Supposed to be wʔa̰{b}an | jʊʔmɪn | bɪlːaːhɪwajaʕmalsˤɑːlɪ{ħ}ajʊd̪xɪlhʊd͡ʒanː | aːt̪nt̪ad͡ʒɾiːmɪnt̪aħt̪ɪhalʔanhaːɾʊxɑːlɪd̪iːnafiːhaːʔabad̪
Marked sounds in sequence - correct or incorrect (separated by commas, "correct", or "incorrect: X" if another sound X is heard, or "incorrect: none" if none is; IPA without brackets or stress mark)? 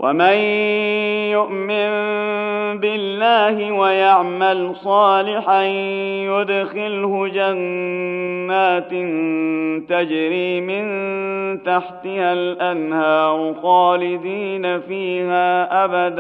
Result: incorrect: m, correct